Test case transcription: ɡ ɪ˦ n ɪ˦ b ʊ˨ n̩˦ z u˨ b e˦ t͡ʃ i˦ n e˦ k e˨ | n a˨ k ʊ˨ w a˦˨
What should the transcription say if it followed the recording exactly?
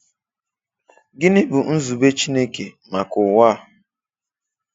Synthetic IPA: ɡ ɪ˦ n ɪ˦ b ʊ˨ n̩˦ z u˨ b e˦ t͡ʃ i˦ n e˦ k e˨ | m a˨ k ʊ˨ w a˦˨